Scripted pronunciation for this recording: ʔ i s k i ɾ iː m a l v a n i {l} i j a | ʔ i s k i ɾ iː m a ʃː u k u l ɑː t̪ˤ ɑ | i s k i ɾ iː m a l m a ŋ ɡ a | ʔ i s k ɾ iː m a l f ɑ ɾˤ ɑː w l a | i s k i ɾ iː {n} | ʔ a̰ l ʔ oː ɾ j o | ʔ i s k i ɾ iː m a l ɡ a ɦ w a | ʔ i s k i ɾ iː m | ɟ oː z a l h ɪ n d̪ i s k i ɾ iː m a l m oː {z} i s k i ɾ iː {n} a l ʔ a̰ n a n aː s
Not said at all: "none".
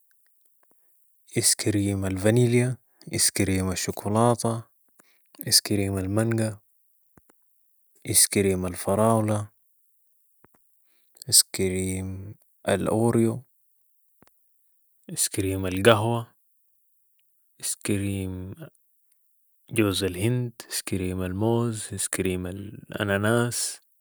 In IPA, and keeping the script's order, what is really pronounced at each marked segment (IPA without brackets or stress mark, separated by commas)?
l, m, z, m